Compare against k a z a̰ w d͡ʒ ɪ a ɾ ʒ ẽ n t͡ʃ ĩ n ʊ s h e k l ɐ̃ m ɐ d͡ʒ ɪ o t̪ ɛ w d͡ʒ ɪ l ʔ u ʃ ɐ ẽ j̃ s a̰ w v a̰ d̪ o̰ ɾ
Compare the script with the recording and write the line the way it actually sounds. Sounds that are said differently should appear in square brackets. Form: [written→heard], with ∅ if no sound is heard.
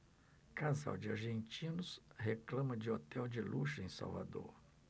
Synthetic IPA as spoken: k a z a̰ w d͡ʒ ɪ a ɾ ʒ ẽ n t͡ʃ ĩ n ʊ s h e k l ɐ̃ m ɐ d͡ʒ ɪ o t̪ ɛ w d͡ʒ ɪ l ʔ u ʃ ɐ ẽ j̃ s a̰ w v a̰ d̪ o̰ ɾ